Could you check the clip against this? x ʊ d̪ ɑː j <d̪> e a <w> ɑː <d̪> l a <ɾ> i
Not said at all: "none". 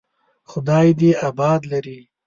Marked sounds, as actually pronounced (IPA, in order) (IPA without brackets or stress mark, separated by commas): d̪, b, d̪, ɾ